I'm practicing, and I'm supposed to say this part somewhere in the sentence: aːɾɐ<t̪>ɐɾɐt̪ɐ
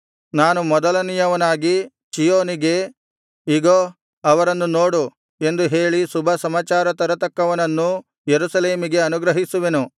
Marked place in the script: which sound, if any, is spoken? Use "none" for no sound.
t̪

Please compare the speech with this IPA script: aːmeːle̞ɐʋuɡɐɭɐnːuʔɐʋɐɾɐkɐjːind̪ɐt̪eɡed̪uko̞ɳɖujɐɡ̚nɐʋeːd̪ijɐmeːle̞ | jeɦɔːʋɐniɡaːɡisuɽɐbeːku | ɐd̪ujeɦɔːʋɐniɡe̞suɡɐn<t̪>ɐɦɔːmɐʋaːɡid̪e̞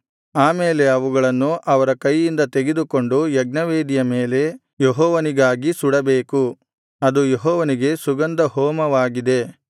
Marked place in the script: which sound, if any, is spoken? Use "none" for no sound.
d̪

